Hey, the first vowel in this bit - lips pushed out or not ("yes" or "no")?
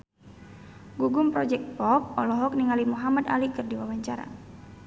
yes